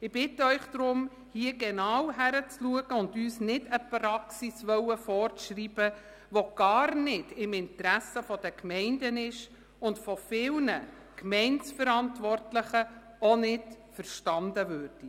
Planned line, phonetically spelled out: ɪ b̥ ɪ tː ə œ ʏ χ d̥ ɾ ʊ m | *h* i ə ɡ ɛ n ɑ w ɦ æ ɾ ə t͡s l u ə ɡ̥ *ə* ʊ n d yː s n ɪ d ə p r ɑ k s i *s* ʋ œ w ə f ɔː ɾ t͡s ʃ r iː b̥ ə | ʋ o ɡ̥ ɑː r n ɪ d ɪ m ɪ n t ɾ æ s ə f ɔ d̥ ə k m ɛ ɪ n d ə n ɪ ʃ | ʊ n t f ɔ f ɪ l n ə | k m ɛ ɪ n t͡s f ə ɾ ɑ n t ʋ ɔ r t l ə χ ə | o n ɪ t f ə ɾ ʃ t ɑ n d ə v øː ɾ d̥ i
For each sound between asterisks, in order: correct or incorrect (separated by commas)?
correct, correct, correct